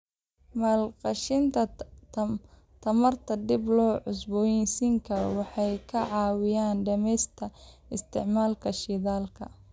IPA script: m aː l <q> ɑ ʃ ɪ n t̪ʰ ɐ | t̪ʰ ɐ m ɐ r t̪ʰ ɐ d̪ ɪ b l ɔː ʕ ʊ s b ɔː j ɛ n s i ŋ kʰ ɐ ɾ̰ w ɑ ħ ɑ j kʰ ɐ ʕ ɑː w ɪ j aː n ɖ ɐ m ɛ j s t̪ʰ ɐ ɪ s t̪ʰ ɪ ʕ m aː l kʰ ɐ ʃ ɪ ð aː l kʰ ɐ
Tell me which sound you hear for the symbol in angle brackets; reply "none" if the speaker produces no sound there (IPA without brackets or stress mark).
q